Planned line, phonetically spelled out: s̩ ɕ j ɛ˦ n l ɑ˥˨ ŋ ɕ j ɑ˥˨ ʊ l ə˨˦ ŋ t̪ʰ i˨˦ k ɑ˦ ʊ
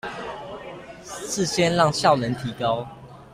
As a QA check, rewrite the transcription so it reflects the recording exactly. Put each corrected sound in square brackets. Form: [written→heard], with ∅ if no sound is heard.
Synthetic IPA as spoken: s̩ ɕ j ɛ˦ n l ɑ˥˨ ŋ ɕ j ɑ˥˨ ʊ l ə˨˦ [ŋ→n] t̪ʰ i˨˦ k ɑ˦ ʊ

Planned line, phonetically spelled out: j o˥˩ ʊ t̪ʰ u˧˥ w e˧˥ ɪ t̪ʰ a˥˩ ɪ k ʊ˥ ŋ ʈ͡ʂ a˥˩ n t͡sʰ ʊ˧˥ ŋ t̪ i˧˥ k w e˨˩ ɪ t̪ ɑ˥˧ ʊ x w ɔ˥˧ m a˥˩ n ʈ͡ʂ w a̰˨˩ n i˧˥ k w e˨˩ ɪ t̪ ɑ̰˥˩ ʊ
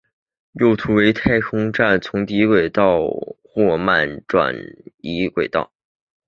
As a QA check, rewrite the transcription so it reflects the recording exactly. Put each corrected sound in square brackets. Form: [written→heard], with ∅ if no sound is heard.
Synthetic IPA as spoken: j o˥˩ ʊ t̪ʰ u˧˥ w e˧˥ ɪ t̪ʰ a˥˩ ɪ [k→kʰ] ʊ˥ ŋ ʈ͡ʂ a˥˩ n t͡sʰ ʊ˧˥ ŋ t̪ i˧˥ k w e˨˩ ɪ t̪ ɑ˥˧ ʊ x w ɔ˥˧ m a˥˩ n ʈ͡ʂ w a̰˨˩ n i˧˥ k w e˨˩ ɪ t̪ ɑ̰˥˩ ʊ

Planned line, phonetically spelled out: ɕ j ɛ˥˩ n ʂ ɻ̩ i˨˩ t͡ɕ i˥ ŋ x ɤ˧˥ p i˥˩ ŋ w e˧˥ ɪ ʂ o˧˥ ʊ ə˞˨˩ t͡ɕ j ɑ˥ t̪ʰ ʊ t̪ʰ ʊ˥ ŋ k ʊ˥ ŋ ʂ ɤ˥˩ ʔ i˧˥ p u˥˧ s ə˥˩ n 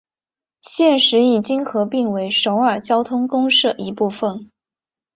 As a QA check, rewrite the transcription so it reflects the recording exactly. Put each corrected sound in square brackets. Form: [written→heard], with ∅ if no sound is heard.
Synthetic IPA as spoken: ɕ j ɛ˥˩ n ʂ ɻ̩ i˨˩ t͡ɕ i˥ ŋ x ɤ˧˥ p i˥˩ ŋ w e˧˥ ɪ ʂ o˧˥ ʊ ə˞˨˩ t͡ɕ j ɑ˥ [t̪ʰ→∅] ʊ t̪ʰ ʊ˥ ŋ k ʊ˥ ŋ ʂ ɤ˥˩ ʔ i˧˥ p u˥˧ [s→f] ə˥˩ n

